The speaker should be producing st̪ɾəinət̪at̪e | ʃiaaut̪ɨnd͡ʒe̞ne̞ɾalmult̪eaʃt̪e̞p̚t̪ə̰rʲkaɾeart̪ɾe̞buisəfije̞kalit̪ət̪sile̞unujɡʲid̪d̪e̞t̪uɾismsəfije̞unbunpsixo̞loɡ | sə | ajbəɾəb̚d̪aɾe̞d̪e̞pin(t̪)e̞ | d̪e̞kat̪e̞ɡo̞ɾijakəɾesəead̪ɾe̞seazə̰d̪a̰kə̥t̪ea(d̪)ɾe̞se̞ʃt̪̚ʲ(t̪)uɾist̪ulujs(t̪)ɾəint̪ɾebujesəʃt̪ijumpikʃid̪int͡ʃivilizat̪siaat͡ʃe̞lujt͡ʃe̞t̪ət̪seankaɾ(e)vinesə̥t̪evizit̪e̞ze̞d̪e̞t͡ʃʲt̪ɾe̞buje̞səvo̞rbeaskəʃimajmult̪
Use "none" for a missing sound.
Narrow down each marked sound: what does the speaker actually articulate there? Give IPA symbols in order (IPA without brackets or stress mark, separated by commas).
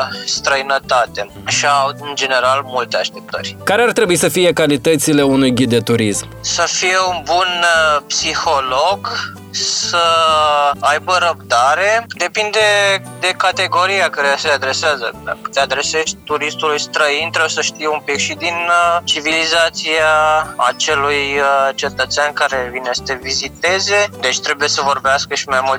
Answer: d̪, d̪, t̪, t̪, e